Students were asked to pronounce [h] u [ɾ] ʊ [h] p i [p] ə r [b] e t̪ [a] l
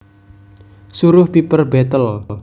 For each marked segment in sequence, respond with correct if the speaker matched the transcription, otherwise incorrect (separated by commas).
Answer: incorrect, correct, correct, correct, correct, incorrect